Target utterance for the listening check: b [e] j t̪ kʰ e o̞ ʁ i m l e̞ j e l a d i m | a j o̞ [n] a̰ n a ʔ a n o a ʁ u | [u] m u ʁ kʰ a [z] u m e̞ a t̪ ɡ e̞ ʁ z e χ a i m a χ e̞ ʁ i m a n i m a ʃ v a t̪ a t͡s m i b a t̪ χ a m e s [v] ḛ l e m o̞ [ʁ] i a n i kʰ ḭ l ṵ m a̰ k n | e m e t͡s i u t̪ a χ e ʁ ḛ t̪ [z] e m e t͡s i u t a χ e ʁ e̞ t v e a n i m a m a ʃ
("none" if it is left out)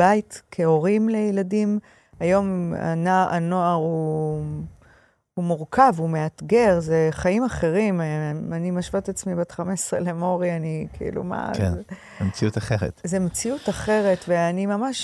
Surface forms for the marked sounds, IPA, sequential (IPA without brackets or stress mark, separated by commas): a, m, u, v, ʁ, ʁ, z